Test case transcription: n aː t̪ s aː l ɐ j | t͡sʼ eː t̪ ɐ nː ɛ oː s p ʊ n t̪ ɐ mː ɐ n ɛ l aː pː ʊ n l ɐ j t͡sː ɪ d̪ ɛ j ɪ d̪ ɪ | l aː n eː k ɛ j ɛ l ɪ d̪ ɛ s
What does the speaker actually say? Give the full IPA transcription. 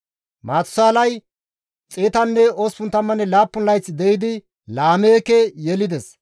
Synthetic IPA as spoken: m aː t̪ s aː l ɐ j | t͡sʼ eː t̪ ɐ nː ɛ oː s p ʊ n t̪ ɐ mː ɐ n ɛ l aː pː ʊ n l ɐ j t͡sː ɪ d̪ ɛ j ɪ d̪ ɪ | l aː m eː k ɛ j ɛ l ɪ d̪ ɛ s

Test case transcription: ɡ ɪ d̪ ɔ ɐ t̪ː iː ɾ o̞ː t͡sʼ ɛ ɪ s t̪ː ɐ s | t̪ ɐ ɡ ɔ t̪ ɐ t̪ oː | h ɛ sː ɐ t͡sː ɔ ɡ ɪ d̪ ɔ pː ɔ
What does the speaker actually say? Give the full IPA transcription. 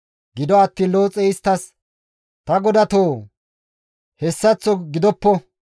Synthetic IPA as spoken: ɡ ɪ d̪ ɔ ɐ t̪ː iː l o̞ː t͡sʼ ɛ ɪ s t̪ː ɐ s | t̪ ɐ ɡ ɔ d̪ ɐ t̪ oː | h ɛ sː ɐ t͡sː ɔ ɡ ɪ d̪ ɔ pː ɔ

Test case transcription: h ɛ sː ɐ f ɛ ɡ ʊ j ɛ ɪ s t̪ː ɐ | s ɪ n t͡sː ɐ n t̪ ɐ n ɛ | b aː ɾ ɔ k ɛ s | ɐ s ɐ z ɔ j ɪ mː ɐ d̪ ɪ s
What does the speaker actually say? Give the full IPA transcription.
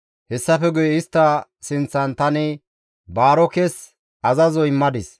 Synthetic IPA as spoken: h ɛ sː ɐ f ɛ ɡ ʊ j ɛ ɪ s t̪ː ɐ | s ɪ n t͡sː ɐ n t̪ ɐ n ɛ | b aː ɾ ɔ k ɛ s | ɐ z ɐ z ɔ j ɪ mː ɐ d̪ ɪ s

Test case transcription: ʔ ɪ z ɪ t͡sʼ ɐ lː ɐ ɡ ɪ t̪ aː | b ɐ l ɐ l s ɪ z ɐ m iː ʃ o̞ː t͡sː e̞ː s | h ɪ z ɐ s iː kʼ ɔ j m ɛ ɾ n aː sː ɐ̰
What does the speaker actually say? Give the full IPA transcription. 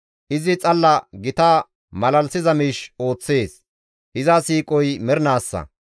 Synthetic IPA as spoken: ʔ ɪ z ɪ t͡sʼ ɐ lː ɐ ɡ ɪ t̪ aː | m ɐ l ɐ l s ɪ z ɐ m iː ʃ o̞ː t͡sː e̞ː s | h ɪ z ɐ s iː kʼ ɔ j m ɛ ɾ n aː sː ɐ̰

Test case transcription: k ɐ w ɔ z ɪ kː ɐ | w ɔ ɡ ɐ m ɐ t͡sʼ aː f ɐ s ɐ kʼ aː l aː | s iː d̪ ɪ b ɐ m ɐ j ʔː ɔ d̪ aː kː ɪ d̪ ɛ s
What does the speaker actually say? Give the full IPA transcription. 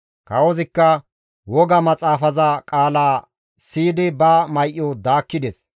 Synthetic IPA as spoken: k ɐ w ɔ z ɪ kː ɐ | w ɔ ɡ ɐ m ɐ t͡sʼ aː f ɐ z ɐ kʼ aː l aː | s iː d̪ ɪ b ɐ m ɐ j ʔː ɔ d̪ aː kː ɪ d̪ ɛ s

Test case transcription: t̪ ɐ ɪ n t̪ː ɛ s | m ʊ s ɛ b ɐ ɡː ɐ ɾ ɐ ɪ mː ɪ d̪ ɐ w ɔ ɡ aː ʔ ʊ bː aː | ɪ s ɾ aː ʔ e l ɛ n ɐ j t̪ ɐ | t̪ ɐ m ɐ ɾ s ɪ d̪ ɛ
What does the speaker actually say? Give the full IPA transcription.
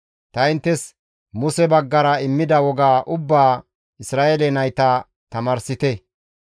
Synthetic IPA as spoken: t̪ ɐ ɪ n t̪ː ɛ s | m ʊ s ɛ b ɐ ɡː ɐ ɾ ɐ ɪ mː ɪ d̪ ɐ w ɔ ɡ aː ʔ ʊ bː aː | ɪ s ɾ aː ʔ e l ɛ n ɐ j t̪ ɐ | t̪ ɐ m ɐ ɾ s ɪ t̪ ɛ

